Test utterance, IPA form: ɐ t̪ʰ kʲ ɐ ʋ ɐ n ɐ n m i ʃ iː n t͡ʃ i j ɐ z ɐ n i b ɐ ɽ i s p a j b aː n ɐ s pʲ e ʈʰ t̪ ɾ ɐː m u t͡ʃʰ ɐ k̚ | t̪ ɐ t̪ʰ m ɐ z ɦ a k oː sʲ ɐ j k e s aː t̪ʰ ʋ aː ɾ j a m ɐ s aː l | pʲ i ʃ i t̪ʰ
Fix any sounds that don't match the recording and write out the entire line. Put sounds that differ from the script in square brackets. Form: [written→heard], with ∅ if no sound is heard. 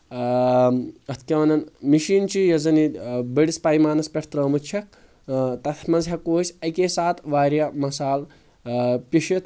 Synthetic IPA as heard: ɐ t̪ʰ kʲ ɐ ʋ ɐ n ɐ n m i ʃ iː n t͡ʃ i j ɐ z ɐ n i b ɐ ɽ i s p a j [b→m] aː n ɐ s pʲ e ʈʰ t̪ ɾ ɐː m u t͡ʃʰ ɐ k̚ | t̪ ɐ t̪ʰ m ɐ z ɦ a k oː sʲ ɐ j k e s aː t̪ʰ ʋ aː ɾ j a m ɐ s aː l | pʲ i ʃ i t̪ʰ

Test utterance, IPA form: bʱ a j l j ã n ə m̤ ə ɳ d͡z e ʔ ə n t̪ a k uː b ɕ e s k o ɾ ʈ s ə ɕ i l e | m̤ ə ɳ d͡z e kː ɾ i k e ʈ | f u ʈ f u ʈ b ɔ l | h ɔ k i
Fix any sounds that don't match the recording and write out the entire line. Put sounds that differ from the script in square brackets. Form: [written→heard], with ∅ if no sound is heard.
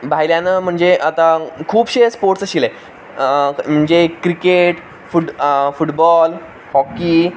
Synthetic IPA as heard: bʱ a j l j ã n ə m̤ ə ɳ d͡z e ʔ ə [n→∅] t̪ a [k→kʰ] uː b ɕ e s [k→p] o ɾ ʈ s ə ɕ i l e | m̤ ə ɳ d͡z e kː ɾ i k e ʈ | f u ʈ f u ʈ b ɔ l | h ɔ k i

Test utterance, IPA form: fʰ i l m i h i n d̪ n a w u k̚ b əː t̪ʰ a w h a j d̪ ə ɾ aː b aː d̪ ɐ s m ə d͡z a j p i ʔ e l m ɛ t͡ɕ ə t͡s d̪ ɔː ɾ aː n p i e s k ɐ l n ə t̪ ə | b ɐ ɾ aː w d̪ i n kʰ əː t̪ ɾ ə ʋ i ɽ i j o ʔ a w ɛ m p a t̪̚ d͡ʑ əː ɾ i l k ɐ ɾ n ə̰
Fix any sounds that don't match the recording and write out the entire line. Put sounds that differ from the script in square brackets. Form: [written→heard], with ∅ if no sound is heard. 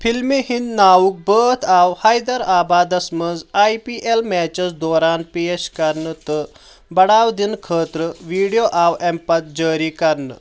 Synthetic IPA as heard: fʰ i l m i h i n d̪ n a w u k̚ b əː t̪ʰ a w h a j d̪ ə ɾ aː b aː d̪ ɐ s m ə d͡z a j p i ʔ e l m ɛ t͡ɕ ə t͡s d̪ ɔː ɾ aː n p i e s k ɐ [l→ɾ] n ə t̪ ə | b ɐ [ɾ→ɽ] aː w d̪ i n kʰ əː t̪ ɾ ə ʋ i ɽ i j o ʔ a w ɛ m p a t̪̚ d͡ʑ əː ɾ i [l→∅] k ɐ ɾ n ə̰

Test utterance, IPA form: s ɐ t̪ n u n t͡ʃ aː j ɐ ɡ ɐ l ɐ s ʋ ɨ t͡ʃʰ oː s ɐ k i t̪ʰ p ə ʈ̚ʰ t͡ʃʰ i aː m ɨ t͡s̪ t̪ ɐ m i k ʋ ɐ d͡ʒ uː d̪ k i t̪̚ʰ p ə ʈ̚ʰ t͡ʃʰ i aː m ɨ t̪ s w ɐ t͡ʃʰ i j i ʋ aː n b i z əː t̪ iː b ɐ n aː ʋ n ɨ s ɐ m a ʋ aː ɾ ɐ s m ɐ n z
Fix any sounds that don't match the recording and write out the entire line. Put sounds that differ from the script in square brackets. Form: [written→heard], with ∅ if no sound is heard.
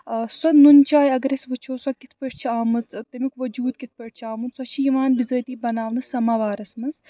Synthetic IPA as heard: s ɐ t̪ n u n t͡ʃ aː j ɐ ɡ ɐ [l→ɾ] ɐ s ʋ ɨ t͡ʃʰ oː s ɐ k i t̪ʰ p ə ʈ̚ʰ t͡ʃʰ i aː m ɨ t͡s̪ t̪ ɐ m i k ʋ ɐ d͡ʒ uː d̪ k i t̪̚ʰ p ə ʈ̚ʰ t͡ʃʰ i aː m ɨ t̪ s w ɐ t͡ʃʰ i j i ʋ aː n b i z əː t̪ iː b ɐ n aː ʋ n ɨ s ɐ m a ʋ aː ɾ ɐ s m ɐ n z

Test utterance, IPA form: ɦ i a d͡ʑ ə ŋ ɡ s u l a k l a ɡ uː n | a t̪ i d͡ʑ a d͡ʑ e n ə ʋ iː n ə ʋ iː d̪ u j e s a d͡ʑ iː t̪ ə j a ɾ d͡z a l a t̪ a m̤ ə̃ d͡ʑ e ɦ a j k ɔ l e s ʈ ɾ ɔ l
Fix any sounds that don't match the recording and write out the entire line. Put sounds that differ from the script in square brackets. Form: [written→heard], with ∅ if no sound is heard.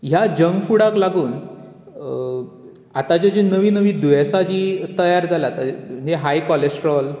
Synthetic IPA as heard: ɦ [i→j] a d͡ʑ ə ŋ ɡ [s→f] u [l→ɽ] a k l a ɡ uː n | a t̪ [i→a] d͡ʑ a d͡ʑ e n ə ʋ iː n ə ʋ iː d̪ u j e s a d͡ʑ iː t̪ ə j a ɾ d͡z a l a t̪ a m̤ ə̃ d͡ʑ e ɦ a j k ɔ l e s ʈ ɾ ɔ l

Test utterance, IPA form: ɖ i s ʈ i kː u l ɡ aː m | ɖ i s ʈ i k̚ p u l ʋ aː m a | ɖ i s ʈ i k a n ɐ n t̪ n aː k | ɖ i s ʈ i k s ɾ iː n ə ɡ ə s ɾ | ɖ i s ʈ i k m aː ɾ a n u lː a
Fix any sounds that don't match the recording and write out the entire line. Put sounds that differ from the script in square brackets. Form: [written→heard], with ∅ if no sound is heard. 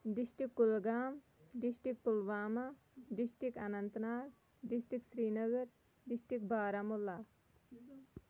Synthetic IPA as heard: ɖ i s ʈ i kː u l ɡ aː m | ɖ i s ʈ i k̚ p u l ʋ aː m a | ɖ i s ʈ i k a n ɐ n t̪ n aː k | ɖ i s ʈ i k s ɾ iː n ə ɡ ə [s→∅] ɾ | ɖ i s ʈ i k [m→b] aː ɾ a [n→m] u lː a

